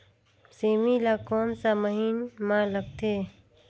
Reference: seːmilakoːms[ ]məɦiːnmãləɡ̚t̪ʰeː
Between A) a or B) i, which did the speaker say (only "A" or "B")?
A